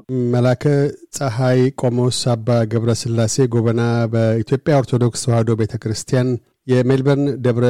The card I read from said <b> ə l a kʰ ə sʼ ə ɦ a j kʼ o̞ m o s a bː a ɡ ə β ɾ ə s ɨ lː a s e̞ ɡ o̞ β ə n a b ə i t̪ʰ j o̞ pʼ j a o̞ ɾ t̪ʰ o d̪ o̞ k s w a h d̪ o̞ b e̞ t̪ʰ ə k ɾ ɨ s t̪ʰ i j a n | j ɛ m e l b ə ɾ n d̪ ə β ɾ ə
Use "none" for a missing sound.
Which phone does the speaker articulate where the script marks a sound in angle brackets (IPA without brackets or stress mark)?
m